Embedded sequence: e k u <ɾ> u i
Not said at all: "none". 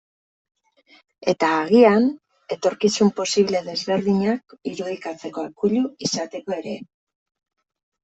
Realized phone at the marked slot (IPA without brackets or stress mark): ʎ